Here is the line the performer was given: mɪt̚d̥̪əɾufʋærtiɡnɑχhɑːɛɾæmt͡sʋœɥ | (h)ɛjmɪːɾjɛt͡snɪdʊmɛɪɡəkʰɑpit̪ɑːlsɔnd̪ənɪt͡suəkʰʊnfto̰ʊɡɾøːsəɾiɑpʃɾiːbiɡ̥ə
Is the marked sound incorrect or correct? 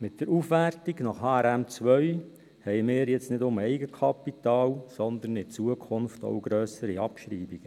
correct